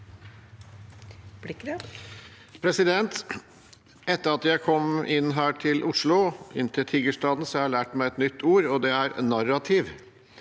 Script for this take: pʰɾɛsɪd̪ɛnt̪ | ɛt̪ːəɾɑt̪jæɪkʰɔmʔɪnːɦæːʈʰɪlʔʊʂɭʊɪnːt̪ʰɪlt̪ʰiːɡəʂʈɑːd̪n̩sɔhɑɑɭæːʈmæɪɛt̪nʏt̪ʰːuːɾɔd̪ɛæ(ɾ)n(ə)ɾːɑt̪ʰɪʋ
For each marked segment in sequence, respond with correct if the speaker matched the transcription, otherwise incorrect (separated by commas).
correct, incorrect